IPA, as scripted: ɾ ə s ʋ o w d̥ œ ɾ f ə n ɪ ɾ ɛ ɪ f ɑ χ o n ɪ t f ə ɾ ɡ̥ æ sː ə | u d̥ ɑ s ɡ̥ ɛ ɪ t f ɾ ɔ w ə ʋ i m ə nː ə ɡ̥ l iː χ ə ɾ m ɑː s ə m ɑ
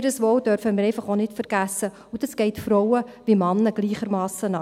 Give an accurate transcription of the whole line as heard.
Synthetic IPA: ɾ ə s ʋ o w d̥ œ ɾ f ə m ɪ ɾ ɛ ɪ f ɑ χ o n ɪ t f ə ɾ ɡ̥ æ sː ə | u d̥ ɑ s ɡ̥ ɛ ɪ t f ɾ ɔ w ə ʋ i m ɑ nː ə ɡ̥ l iː χ ə ɾ m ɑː s ə n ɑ